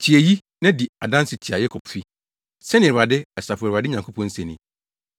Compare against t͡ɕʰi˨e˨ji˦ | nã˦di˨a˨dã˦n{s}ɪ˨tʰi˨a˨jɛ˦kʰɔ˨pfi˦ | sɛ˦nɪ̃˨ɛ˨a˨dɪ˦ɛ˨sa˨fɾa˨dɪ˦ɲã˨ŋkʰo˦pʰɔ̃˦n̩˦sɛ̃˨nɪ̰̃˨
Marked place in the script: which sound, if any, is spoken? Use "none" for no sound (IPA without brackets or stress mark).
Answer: s